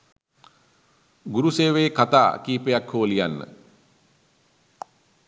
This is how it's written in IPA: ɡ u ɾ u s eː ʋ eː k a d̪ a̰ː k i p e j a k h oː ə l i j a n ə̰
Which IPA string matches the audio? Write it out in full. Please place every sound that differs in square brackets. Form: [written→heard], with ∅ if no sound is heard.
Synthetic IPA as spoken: ɡ u ɾ u s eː ʋ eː k a [d̪→t̪] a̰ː k [i→iː] p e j a k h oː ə l i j a [n→nː] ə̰